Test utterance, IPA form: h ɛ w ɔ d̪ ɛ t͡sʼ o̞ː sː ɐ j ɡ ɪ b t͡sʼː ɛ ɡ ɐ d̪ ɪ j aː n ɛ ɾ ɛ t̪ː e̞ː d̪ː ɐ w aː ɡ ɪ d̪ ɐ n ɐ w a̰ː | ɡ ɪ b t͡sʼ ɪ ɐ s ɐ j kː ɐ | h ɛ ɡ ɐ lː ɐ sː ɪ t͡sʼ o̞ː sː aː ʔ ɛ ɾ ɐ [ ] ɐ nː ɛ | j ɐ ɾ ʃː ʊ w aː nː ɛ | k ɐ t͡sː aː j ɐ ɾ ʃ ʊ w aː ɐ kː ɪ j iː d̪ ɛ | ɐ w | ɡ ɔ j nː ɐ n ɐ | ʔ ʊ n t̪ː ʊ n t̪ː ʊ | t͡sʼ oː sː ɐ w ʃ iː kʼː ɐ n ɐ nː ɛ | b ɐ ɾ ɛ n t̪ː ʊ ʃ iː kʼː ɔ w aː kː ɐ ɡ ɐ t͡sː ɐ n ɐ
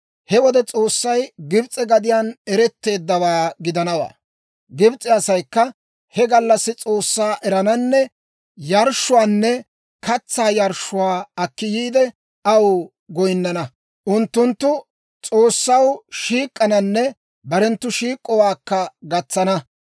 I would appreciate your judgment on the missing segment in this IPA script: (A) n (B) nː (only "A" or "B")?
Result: A